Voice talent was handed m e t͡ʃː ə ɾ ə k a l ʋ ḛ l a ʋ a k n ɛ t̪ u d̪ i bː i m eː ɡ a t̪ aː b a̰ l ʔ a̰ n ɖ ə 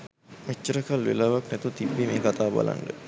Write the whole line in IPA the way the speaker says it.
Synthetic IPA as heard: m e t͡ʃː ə ɾ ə k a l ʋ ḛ l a ʋ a k n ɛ t̪ u t̪ i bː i m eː k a t̪ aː b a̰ l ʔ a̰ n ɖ ə